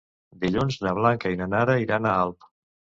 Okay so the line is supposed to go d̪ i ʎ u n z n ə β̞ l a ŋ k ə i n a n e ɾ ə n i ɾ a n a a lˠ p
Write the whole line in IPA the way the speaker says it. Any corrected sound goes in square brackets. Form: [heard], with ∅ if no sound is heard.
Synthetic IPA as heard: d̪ i ʎ u n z n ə β̞ l a ŋ k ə i n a n [a] ɾ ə [∅] i ɾ a n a a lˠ p